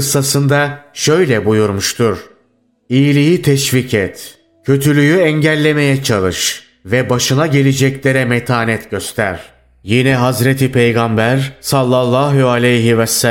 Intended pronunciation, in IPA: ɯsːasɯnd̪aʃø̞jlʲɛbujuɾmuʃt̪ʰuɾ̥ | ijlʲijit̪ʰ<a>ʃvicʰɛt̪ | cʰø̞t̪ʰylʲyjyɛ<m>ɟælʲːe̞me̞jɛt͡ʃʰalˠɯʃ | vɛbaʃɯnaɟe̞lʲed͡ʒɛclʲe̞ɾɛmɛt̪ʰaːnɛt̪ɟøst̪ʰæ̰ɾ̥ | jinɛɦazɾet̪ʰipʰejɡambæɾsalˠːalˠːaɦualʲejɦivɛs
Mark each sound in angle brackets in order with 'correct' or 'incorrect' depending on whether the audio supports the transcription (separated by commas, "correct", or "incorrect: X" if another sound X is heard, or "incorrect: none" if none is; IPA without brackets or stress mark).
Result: incorrect: ɛ, incorrect: ɲ